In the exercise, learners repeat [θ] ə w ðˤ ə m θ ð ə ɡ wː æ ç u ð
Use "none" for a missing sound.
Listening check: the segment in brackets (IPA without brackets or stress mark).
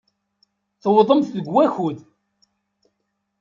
θ